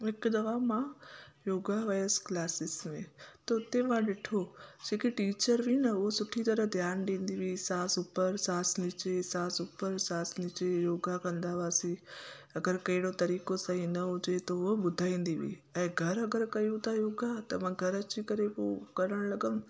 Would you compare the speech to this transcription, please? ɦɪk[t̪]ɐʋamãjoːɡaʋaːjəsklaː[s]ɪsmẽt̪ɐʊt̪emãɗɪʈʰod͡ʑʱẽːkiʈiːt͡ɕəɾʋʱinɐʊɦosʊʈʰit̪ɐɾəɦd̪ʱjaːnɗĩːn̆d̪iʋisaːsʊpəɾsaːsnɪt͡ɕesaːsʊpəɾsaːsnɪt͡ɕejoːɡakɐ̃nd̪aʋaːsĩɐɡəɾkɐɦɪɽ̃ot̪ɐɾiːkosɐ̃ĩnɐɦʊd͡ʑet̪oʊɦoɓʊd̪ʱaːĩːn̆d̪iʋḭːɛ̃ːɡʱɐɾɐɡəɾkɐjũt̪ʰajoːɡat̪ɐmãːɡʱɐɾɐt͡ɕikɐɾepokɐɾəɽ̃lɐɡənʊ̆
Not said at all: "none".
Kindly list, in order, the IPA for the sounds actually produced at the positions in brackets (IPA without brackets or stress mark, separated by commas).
d̪, s